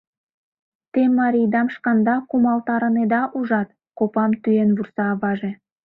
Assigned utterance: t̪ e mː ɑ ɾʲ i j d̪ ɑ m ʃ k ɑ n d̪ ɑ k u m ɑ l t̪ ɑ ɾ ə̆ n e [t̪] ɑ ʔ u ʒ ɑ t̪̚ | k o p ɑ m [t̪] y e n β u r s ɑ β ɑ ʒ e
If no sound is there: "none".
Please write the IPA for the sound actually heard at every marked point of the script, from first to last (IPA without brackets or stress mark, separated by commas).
d̪, t̪